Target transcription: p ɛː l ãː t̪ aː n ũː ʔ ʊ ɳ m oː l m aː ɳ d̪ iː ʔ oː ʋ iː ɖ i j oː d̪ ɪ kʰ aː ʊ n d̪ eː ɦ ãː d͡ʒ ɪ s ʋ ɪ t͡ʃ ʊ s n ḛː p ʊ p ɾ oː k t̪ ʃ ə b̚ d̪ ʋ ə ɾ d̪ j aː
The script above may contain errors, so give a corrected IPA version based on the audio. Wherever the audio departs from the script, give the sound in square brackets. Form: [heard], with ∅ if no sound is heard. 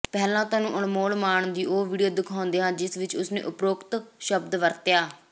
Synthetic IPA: p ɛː l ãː t̪ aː n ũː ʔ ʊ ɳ m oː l m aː ɳ d̪ iː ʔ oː ʋ iː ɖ i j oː d̪ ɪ kʰ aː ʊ n d̪ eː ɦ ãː d͡ʒ ɪ s ʋ ɪ t͡ʃ ʊ s n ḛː [ʔ] ʊ p ɾ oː k t̪ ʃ ə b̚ d̪ ʋ ə ɾ [t̪] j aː